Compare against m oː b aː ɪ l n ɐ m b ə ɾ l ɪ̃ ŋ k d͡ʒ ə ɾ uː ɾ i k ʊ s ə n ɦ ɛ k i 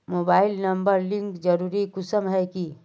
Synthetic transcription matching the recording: m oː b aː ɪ l n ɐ m b ə ɾ l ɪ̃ ŋ k d͡ʒ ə ɾ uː ɾ i k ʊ s ə m ɦ ɛ k i